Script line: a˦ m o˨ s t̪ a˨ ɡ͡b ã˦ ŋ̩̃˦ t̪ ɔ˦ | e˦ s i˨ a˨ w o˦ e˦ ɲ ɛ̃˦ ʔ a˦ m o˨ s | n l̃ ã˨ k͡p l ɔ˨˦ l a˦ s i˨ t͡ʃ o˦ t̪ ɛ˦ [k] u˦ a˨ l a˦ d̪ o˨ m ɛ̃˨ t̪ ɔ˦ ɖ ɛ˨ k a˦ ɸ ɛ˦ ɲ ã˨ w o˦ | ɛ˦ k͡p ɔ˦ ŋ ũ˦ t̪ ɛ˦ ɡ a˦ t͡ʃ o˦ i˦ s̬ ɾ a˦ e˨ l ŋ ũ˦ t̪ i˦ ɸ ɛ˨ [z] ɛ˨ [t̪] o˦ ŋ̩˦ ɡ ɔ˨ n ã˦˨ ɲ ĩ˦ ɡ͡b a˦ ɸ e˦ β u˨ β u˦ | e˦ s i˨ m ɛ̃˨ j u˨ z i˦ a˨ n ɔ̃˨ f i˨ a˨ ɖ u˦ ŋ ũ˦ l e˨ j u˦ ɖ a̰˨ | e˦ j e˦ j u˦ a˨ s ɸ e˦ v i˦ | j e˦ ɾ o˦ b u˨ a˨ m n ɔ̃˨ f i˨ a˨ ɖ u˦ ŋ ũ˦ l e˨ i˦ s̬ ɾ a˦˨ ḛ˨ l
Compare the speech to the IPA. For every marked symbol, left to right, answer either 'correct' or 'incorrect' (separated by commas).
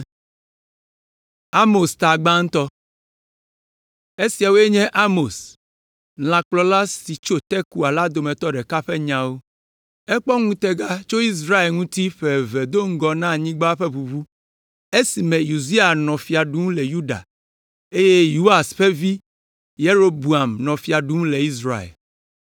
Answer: correct, incorrect, incorrect